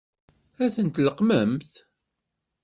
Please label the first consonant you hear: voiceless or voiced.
voiceless